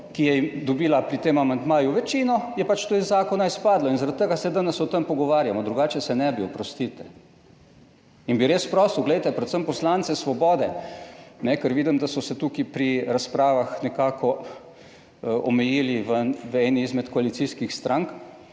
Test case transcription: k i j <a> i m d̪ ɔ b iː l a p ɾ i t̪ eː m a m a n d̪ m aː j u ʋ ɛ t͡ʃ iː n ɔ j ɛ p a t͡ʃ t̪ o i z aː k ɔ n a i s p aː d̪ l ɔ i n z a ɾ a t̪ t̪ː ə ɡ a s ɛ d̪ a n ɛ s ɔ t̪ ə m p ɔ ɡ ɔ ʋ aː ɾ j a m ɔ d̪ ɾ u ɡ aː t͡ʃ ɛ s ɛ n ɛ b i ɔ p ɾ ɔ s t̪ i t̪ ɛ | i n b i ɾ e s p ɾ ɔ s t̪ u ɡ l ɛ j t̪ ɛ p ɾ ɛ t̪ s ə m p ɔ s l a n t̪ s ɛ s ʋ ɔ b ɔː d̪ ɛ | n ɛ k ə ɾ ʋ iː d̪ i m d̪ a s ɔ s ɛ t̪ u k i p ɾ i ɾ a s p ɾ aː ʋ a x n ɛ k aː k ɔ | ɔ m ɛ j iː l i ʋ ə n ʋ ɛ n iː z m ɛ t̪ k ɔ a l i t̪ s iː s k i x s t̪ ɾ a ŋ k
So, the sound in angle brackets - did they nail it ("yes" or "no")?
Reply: no